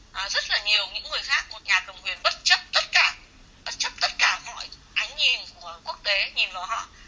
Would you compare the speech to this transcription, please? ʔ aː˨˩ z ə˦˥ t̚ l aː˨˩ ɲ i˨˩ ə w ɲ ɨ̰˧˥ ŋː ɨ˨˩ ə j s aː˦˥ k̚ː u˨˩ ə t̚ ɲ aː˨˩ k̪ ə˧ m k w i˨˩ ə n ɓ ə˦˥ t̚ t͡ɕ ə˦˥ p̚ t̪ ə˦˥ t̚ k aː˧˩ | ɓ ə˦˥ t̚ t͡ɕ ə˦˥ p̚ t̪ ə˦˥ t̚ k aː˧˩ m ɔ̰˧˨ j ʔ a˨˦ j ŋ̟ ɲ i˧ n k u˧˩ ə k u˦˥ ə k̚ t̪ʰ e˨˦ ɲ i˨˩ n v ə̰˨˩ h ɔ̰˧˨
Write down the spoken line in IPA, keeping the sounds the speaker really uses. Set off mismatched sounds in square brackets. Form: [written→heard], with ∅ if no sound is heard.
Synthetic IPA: ʔ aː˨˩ z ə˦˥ t̚ l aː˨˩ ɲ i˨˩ ə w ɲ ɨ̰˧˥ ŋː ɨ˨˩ ə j [s→x] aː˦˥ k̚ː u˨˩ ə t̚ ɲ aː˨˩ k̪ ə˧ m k w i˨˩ ə n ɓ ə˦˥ t̚ t͡ɕ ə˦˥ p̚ t̪ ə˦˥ t̚ k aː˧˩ | ɓ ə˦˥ t̚ t͡ɕ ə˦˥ p̚ t̪ ə˦˥ t̚ k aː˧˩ m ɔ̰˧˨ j ʔ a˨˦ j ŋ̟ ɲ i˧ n k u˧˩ ə k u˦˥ ə k̚ [t̪ʰ→t̪] e˨˦ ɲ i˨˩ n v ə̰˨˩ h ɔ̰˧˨